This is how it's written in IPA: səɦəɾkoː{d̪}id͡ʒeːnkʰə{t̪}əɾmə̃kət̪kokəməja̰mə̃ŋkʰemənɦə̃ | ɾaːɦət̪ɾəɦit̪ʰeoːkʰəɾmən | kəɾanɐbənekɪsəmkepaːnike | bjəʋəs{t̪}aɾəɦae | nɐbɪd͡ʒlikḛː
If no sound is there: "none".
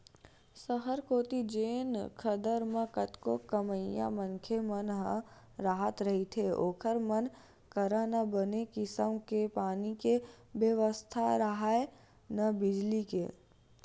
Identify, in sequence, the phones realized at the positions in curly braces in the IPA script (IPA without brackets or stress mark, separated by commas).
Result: t̪, d̪, t̪ʰ